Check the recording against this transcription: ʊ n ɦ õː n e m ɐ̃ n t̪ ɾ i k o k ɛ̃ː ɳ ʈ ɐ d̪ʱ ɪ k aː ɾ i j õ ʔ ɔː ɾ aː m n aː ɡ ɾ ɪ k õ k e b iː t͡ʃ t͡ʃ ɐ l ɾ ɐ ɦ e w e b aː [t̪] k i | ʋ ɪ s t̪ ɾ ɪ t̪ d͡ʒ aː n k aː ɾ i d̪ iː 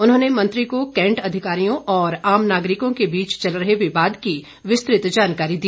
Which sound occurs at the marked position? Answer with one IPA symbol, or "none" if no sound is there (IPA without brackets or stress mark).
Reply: d̪